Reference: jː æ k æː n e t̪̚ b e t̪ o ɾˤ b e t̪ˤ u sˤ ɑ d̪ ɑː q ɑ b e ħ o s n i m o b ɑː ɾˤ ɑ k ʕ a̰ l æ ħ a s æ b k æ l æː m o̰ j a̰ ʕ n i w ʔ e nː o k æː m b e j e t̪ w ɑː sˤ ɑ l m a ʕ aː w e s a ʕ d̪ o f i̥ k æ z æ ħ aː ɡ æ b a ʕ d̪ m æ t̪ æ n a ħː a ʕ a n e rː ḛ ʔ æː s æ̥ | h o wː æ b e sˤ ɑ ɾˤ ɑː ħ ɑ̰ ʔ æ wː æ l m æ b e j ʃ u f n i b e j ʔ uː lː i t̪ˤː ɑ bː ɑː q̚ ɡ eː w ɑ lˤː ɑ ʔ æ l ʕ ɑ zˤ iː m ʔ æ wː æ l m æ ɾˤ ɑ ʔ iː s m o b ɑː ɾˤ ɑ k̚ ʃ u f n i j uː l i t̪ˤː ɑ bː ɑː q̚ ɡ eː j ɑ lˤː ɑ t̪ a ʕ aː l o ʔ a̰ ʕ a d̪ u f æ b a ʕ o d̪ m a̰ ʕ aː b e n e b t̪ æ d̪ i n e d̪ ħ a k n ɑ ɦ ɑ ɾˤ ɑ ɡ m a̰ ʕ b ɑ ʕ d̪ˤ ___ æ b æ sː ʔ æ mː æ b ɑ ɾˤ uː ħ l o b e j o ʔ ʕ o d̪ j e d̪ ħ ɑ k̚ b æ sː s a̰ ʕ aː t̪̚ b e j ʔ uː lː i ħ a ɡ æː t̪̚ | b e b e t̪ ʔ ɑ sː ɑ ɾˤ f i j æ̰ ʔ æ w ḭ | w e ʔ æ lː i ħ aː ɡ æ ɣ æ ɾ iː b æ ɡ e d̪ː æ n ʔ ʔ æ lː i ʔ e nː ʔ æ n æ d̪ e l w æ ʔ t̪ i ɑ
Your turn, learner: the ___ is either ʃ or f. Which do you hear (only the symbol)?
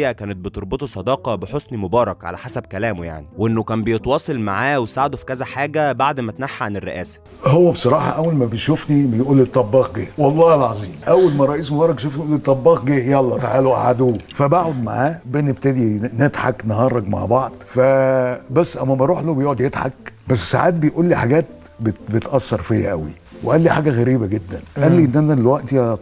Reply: f